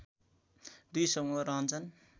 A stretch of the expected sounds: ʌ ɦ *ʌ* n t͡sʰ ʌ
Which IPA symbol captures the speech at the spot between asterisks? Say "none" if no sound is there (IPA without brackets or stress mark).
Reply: ʌ